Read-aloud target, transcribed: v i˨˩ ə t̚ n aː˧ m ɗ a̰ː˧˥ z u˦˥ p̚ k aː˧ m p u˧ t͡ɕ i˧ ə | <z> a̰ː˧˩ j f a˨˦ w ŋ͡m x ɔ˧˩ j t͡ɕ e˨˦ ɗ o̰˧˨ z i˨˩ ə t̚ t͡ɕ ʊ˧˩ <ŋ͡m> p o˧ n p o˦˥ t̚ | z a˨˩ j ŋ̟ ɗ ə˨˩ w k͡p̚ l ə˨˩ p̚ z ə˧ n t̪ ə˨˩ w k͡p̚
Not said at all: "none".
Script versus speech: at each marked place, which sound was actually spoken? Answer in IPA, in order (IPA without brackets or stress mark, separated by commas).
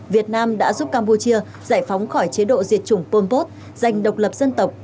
z, ŋ͡m